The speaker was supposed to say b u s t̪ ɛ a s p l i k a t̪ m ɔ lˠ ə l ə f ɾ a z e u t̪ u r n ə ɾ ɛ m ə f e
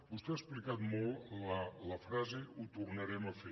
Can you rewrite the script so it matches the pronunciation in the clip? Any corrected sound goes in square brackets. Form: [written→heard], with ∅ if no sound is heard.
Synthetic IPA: b u s t̪ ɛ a s p l i k a t̪ m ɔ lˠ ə l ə f ɾ a z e u t̪ u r n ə ɾ ɛ m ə f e

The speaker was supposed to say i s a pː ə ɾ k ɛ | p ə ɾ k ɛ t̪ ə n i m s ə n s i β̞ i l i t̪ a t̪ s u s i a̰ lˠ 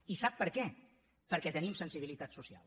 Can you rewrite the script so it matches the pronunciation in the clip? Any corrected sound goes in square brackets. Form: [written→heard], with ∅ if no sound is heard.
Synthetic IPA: i s a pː ə ɾ k ɛ | p ə ɾ k ɛ t̪ ə n i m s ə n s i β̞ i l i t̪ a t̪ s u s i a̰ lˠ

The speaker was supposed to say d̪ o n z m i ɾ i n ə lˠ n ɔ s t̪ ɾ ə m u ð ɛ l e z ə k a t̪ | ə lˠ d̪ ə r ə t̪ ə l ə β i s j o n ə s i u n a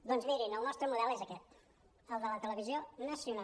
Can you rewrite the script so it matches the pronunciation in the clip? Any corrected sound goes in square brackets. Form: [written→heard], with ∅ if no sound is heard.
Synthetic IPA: d̪ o n z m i ɾ i n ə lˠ n ɔ s t̪ ɾ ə m u ð ɛ l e z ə k [a→ɛ] t̪ | ə lˠ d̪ ə [r→l] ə t̪ ə l ə β i [s→z] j o n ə s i u n a

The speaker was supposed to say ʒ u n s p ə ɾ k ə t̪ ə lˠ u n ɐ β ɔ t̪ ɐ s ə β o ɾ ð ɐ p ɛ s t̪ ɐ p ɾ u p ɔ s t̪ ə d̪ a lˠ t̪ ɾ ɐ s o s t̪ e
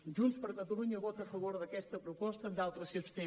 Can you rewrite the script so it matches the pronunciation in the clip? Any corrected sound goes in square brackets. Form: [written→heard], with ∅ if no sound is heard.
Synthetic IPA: ʒ u n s p ə ɾ k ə t̪ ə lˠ u [n→ɲ] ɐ β ɔ t̪ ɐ [s→f] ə β o ɾ ð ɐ [p→k] ɛ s t̪ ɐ p ɾ u p ɔ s t̪ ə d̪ a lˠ t̪ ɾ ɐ s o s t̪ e

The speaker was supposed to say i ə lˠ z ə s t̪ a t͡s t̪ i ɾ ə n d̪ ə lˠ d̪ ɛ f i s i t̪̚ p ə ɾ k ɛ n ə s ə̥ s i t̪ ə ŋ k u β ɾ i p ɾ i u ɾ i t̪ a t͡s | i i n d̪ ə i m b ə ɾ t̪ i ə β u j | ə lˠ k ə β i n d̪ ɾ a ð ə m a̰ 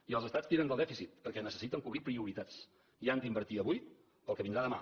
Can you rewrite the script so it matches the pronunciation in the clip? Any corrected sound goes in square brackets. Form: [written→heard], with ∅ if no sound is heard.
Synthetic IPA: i ə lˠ z ə s t̪ a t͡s t̪ i ɾ ə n d̪ ə lˠ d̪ ɛ f i s i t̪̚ p ə ɾ k ɛ n ə s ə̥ s i t̪ ə ŋ k u β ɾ i p ɾ i u ɾ i t̪ a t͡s | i [i→a] n d̪ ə i m b ə ɾ t̪ i ə β u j | ə lˠ k ə β i n d̪ ɾ a ð ə m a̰

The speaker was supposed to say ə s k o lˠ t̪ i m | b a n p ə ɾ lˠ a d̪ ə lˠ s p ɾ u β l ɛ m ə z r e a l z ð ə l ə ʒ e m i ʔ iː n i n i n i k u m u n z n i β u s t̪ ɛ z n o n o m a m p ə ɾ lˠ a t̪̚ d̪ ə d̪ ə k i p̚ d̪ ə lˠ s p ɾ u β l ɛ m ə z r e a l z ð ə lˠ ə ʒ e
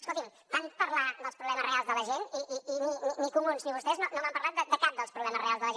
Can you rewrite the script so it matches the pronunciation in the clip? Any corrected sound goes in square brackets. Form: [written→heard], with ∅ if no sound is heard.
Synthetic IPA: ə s k o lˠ t̪ i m | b a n p ə ɾ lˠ a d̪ ə lˠ s p ɾ u β l ɛ m ə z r e a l z ð ə l ə ʒ e [m→n] i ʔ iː n i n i n i k u m u n z n i β u s t̪ ɛ z n o n o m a m p ə ɾ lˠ a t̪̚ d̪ ə d̪ ə k [i→a] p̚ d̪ ə lˠ s p ɾ u β l ɛ m ə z r e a l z ð ə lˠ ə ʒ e

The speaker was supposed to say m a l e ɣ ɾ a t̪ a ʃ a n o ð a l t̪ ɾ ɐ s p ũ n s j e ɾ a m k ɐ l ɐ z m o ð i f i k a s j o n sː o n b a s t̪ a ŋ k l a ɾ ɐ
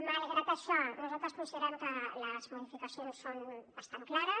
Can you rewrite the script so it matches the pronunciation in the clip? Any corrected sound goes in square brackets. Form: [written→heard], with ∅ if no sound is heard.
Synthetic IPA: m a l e ɣ ɾ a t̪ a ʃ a n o [ð→z] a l t̪ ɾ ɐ s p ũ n s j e ɾ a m k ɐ l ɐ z m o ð i f i k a s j o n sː o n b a s t̪ a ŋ k l a ɾ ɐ

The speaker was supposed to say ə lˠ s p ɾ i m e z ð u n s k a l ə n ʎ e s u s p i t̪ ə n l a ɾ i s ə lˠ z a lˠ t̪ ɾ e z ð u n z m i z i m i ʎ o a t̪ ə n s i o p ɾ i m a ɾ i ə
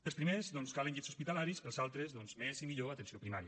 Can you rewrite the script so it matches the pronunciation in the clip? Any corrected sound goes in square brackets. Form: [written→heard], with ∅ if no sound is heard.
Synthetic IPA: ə lˠ s p ɾ i m e z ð [u→ɔ] n s k a l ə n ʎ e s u s p i t̪ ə [n→∅] l a ɾ i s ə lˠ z a lˠ t̪ ɾ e z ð [u→ɔ] n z m [i→e] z i m i ʎ o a t̪ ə n s i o p ɾ i m a ɾ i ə

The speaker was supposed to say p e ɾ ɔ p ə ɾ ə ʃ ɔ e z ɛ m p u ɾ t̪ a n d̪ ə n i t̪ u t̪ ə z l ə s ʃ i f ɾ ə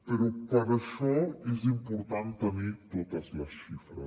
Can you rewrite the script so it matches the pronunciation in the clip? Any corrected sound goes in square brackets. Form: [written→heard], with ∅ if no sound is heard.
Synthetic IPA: p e ɾ ɔ p ə ɾ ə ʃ ɔ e z [ɛ→i] m p u ɾ t̪ a n [d̪→t̪] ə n i t̪ [u→o] t̪ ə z l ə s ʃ i f ɾ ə

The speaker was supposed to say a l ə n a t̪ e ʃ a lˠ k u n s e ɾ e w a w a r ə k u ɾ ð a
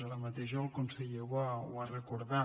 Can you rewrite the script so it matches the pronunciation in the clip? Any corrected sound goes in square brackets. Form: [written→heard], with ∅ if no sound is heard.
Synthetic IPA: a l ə [n→m] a t̪ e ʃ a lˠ k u n s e [ɾ→ʎ] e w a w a r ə k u ɾ ð a

